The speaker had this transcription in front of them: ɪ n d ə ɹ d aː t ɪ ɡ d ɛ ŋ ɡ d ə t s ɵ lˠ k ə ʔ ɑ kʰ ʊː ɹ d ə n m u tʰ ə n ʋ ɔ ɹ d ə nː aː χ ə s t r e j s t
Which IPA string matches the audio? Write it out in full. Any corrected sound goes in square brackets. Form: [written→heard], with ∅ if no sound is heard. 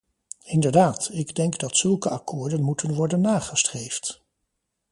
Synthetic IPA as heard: ɪ n d ə ɹ d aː t ɪ ɡ d ɛ ŋ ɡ d [ə→ɑ] t s ɵ lˠ k ə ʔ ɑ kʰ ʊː ɹ d ə n m u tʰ ə n ʋ ɔ ɹ d ə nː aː χ ə s t r e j [s→f] t